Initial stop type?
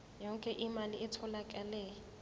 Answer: ejective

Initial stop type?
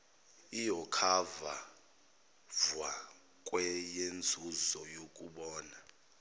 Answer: aspirated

